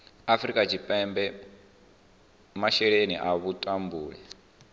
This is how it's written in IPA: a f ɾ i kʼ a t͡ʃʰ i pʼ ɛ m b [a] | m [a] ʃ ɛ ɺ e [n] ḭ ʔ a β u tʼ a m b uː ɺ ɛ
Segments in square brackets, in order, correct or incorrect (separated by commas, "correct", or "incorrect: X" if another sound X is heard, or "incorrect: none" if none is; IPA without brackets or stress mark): incorrect: ɛ, correct, correct